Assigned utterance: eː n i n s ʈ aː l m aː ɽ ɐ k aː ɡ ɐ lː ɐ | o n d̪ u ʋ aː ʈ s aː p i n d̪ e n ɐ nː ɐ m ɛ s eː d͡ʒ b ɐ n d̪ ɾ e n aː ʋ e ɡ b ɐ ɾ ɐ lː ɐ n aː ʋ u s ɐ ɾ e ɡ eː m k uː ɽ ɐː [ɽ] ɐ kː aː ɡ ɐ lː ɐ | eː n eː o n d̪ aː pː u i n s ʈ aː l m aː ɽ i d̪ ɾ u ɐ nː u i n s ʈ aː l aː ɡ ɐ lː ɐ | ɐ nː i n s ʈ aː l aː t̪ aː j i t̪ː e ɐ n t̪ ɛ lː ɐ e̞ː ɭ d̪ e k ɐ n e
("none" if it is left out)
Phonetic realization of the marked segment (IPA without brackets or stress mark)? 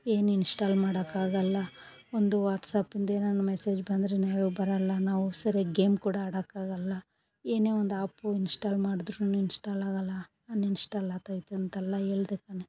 ɽ